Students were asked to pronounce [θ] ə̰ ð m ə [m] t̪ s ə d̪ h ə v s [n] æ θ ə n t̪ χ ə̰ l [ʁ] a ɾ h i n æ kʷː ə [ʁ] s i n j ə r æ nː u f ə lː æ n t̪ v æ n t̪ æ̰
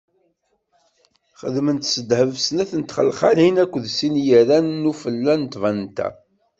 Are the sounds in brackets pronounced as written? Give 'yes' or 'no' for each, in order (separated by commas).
no, no, yes, no, no